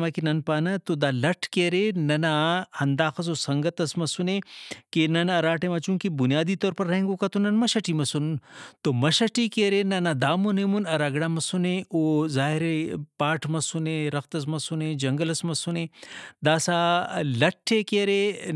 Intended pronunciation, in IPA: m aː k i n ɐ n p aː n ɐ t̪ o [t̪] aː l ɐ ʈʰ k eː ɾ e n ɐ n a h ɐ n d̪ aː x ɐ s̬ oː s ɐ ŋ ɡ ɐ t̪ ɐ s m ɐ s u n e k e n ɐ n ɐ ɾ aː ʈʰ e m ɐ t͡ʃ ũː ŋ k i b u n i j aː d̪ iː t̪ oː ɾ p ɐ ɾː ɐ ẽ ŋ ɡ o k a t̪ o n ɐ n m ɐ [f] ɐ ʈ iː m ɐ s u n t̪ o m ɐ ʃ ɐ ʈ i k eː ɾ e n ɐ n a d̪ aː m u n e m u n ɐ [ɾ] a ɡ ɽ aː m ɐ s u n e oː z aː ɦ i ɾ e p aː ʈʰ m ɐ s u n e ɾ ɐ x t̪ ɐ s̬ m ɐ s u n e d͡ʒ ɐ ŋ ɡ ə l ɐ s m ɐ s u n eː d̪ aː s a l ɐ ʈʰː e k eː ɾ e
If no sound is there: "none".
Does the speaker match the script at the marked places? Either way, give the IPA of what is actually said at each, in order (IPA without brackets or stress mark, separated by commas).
d̪, ʃ, ɾ